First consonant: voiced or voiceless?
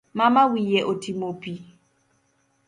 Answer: voiced